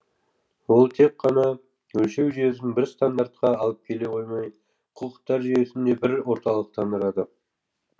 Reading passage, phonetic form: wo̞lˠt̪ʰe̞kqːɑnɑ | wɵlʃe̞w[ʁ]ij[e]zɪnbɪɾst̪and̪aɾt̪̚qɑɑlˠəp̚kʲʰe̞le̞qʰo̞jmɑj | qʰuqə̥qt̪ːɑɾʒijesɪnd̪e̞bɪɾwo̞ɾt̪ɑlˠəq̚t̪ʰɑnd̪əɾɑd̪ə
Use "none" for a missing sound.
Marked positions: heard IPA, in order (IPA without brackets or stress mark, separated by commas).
ʒ, e